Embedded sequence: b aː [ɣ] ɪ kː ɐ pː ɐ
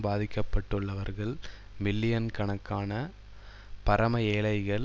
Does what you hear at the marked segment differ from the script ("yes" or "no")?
yes